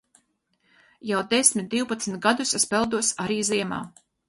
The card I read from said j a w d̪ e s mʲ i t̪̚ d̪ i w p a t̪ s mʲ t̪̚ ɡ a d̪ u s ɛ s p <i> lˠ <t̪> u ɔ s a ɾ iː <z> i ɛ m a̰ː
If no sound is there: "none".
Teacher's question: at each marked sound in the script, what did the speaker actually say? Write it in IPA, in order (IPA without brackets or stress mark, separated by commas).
ɛ, d̪, z